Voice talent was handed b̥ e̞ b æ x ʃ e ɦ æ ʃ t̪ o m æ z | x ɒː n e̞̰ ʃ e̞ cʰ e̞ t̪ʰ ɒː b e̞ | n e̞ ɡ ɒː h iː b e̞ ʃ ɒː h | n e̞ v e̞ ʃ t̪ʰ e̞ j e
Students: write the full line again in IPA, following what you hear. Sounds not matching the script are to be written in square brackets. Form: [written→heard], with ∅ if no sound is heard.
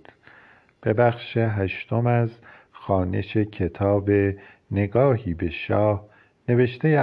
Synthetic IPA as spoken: b̥ e̞ b æ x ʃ e ɦ æ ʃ t̪ o m æ z | x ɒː n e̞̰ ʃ e̞ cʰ e̞ t̪ʰ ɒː b e̞ | n e̞ ɡ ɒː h iː b e̞ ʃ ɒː h | n e̞ v e̞ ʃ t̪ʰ e̞ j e